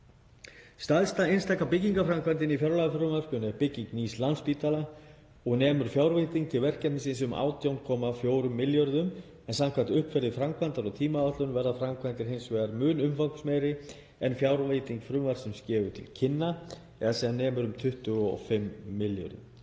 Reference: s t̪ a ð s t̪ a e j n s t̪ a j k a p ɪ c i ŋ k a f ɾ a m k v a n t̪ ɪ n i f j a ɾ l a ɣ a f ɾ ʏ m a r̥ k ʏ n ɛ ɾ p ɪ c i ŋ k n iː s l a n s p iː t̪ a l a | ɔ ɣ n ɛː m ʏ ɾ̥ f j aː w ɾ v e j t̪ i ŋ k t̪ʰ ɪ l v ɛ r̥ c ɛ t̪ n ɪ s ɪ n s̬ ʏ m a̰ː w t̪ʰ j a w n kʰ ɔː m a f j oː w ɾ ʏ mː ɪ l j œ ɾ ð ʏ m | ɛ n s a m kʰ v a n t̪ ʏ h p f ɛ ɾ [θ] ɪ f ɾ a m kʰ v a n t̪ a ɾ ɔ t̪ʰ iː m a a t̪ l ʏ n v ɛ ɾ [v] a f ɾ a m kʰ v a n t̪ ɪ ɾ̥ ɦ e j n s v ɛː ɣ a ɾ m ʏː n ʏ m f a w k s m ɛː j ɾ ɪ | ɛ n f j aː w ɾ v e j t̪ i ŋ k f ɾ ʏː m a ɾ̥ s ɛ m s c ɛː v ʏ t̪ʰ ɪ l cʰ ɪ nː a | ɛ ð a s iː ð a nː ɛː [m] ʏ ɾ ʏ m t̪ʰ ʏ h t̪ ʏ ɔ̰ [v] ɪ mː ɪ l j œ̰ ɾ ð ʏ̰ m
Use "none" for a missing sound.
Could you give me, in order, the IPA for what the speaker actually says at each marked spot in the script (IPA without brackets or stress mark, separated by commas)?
ð, ð, m, f